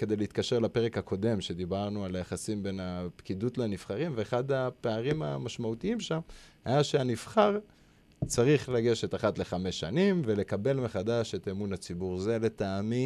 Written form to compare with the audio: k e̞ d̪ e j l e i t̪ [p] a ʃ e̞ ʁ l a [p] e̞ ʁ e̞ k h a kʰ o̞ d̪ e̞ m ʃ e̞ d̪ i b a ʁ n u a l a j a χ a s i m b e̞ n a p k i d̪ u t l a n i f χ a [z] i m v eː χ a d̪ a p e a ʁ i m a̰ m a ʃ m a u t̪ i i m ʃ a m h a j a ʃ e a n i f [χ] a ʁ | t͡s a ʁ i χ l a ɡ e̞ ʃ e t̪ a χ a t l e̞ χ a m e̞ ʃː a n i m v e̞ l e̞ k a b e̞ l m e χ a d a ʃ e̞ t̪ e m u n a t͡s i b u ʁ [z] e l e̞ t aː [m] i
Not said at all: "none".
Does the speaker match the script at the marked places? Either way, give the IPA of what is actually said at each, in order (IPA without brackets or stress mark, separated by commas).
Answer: k, p, ʁ, χ, z, m